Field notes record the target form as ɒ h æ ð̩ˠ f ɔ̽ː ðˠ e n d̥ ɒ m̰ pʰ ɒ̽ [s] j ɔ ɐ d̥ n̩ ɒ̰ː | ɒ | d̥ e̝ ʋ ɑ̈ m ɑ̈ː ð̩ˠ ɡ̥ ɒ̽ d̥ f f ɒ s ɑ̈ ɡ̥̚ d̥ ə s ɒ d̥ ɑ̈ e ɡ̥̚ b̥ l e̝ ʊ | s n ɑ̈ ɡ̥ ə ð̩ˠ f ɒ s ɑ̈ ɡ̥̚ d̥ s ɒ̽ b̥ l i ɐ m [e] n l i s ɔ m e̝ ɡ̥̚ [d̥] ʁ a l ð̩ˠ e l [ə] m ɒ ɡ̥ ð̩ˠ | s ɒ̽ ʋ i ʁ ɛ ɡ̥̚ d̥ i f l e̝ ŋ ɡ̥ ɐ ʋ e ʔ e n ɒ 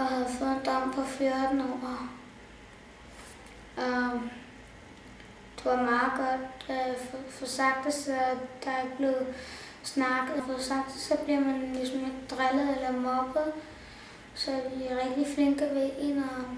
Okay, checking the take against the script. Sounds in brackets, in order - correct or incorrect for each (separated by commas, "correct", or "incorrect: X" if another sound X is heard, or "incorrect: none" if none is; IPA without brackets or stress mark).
incorrect: f, incorrect: æ, correct, incorrect: ɐ